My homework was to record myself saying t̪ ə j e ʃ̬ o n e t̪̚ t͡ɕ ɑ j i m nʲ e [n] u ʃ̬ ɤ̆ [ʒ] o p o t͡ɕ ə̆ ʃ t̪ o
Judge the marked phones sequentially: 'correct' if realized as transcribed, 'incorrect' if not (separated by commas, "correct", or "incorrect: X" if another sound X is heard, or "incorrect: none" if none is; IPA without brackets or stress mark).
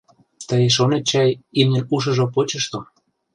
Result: correct, correct